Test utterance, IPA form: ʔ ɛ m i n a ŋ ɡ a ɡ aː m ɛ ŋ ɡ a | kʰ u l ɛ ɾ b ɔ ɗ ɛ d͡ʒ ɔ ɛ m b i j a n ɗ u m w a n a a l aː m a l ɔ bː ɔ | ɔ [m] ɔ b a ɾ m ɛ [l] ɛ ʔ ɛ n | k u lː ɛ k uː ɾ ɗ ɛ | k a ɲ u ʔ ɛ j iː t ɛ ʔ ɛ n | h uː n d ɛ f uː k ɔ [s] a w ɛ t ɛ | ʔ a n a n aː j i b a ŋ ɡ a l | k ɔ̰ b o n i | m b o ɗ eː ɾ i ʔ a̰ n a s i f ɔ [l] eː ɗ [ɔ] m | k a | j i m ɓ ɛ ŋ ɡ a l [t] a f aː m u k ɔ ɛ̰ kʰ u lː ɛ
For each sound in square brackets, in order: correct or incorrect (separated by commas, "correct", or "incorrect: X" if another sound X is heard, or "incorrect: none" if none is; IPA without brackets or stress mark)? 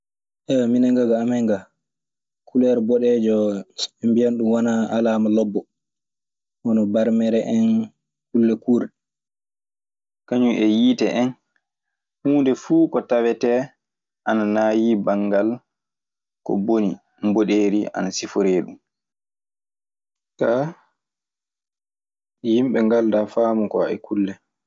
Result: incorrect: n, incorrect: ɾ, incorrect: t, incorrect: ɾ, incorrect: u, incorrect: d